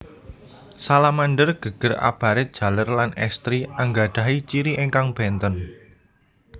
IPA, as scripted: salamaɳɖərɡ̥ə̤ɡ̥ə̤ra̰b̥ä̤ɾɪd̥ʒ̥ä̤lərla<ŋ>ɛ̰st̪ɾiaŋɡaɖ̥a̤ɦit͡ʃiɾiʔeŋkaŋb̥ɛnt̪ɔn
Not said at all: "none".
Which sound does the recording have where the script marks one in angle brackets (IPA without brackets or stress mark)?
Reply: n